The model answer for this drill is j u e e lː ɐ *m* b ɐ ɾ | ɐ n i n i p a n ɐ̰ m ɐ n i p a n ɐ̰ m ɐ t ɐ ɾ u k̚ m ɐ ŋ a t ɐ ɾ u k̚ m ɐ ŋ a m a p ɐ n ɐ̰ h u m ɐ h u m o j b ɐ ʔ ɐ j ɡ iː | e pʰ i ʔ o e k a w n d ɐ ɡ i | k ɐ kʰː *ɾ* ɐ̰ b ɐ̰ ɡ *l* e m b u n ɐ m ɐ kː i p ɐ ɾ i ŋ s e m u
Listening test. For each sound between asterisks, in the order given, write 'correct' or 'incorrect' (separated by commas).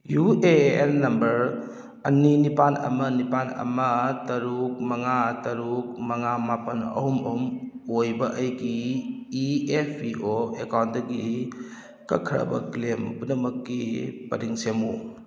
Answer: correct, correct, correct